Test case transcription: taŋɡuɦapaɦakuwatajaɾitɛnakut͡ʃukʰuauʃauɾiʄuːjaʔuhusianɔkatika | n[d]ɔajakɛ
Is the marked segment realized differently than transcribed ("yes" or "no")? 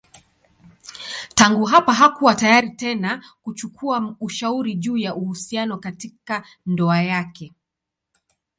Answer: no